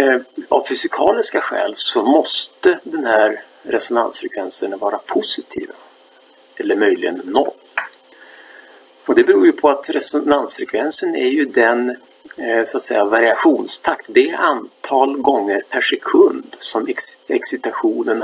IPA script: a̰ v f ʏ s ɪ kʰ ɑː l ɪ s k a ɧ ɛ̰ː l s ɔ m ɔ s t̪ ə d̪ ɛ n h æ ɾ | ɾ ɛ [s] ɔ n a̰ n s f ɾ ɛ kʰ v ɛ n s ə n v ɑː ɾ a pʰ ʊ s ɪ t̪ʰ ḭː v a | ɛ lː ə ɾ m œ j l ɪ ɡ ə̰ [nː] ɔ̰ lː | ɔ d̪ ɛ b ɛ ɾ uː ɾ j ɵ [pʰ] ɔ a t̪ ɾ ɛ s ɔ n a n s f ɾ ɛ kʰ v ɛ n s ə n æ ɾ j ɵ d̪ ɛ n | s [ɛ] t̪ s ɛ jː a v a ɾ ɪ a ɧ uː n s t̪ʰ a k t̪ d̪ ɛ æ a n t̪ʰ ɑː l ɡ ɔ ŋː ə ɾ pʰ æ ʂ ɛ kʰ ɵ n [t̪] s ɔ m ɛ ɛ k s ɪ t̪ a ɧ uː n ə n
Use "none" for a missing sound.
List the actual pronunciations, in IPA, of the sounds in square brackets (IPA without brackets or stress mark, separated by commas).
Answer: s, nː, pʰ, a, d̪